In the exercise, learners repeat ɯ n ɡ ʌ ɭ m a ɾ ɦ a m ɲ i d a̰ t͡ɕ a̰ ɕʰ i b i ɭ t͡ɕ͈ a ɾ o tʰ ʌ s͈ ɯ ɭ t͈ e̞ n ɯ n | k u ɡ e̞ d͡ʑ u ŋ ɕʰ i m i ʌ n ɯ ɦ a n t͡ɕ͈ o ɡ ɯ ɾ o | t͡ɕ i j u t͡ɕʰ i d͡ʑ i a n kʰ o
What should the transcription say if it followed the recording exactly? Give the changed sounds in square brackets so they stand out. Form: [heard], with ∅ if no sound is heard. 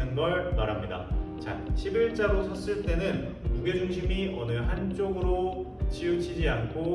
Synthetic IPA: ɯ n ɡ ʌ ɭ m a ɾ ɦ a m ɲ i d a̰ t͡ɕ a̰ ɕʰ i b i ɭ t͡ɕ͈ a ɾ o [sʰ] ʌ s͈ ɯ ɭ t͈ e̞ n ɯ n | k u ɡ e̞ d͡ʑ u ŋ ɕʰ i m i ʌ n ɯ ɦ a n t͡ɕ͈ o ɡ ɯ ɾ o | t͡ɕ i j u t͡ɕʰ i d͡ʑ i a n kʰ o